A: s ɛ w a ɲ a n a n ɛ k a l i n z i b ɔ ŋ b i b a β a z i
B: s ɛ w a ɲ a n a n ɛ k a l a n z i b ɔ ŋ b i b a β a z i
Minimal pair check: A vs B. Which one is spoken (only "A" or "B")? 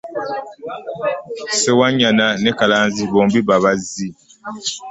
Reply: B